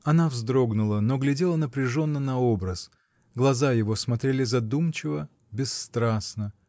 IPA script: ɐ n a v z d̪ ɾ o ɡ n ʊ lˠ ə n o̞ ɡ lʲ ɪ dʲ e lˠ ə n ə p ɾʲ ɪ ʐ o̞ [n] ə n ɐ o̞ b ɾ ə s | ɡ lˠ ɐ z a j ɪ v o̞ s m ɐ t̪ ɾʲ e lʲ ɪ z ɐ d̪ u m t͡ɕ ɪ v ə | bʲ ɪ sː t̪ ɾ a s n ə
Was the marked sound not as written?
yes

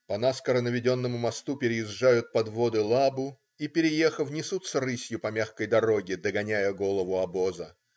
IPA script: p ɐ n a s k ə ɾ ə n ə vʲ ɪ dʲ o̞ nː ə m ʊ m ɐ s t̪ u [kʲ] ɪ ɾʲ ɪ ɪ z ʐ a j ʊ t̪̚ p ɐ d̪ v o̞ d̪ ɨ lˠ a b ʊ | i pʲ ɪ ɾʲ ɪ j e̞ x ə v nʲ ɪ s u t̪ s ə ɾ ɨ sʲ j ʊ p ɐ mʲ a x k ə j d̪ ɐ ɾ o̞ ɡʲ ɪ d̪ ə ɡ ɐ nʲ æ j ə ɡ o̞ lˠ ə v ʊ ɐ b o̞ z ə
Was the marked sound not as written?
yes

